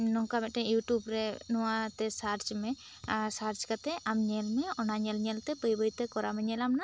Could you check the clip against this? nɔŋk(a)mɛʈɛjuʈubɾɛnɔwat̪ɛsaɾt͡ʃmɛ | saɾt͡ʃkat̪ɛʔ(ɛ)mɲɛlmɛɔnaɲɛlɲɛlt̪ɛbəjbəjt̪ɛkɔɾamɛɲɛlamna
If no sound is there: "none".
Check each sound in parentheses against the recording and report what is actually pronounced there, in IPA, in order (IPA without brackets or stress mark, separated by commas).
a, a